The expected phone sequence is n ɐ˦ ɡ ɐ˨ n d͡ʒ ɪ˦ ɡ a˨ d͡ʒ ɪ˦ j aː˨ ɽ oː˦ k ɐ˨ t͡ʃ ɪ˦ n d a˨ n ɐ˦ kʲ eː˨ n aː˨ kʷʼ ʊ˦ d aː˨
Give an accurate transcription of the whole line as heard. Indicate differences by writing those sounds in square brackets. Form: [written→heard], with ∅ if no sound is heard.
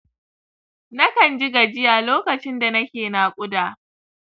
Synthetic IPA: n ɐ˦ [ɡ→k] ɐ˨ n d͡ʒ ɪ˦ ɡ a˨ d͡ʒ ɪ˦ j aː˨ [ɽ→l] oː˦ k ɐ˨ t͡ʃ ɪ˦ n d a˨ n ɐ˦ kʲ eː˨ n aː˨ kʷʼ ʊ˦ d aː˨